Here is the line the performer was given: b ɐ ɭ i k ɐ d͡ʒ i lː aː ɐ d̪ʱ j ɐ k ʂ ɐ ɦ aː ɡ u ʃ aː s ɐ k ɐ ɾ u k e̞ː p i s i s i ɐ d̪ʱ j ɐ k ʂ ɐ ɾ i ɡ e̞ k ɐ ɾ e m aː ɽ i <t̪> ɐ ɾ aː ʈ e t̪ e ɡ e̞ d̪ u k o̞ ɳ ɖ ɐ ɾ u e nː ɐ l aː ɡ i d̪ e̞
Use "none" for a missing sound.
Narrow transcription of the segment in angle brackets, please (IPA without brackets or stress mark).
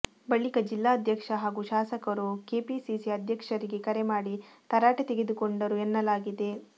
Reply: t̪